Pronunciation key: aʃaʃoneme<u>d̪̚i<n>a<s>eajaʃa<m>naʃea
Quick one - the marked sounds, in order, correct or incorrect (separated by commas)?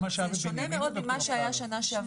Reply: incorrect, incorrect, incorrect, incorrect